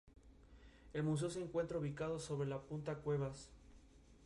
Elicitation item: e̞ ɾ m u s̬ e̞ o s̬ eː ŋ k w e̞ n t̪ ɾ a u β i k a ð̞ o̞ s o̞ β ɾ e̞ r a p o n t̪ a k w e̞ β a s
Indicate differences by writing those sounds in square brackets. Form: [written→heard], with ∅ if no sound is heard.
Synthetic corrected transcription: e̞ [ɾ→l] m u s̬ e̞ o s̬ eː ŋ k w e̞ n t̪ ɾ a u β i k a ð̞ o̞ s o̞ β ɾ e̞ [r→l] a p [o→u] n t̪ a k w e̞ β a s